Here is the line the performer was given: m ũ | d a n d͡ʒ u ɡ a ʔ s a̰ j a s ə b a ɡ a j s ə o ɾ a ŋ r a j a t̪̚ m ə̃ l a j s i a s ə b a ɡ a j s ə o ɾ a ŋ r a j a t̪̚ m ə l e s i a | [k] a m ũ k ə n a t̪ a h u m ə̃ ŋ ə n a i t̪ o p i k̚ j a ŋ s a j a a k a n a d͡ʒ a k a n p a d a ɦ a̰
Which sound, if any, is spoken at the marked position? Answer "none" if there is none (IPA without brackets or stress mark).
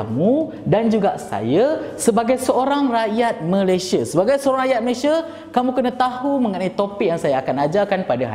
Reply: k